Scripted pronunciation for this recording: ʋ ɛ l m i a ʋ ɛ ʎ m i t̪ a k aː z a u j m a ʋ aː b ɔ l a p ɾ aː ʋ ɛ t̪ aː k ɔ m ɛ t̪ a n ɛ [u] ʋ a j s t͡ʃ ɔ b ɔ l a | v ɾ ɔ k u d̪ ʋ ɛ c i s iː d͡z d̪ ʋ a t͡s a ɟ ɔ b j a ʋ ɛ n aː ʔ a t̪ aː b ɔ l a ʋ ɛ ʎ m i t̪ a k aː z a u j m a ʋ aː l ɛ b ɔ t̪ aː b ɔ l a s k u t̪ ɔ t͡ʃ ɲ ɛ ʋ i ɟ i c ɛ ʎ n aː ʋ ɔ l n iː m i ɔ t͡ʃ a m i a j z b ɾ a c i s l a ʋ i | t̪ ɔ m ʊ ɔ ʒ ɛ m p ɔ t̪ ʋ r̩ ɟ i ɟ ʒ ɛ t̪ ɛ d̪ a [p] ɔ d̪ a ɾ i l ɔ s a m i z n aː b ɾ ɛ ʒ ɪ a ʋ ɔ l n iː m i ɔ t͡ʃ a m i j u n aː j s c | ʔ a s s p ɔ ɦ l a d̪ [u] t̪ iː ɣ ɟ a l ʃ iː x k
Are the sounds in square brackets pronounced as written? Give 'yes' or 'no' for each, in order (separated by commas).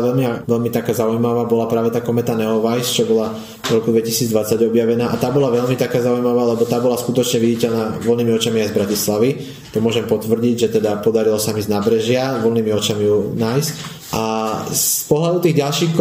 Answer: no, yes, yes